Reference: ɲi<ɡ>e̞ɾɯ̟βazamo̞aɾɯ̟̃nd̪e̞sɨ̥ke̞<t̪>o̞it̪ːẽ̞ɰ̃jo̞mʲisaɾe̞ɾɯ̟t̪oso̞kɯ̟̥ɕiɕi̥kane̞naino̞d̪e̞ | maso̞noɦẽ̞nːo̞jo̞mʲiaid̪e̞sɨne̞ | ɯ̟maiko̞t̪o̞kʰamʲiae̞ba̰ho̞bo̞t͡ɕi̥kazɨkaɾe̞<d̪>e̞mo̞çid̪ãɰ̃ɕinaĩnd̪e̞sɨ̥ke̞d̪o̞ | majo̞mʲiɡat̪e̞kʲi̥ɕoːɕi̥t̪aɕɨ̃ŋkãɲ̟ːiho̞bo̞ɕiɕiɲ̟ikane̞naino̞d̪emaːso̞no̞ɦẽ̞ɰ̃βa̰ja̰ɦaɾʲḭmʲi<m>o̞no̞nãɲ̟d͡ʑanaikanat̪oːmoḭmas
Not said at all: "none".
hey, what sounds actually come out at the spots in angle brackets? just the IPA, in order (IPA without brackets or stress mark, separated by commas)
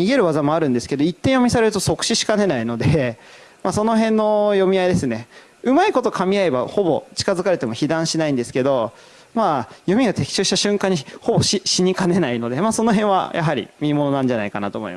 ɡ, d̪, t̪, m